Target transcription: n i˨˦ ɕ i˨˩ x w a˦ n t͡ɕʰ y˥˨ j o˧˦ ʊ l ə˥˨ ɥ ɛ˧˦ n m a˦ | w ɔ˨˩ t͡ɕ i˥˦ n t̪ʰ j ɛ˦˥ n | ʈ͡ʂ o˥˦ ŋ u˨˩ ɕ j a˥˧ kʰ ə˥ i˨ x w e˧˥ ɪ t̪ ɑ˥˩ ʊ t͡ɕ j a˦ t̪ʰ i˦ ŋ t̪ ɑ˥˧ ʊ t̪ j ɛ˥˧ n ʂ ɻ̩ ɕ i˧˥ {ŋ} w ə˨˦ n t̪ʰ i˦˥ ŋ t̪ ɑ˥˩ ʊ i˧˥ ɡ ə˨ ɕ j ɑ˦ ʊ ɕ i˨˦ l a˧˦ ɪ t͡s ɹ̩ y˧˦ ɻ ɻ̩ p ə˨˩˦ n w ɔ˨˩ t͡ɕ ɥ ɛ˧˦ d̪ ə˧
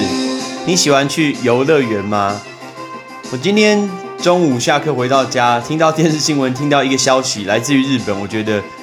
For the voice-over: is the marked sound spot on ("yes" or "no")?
yes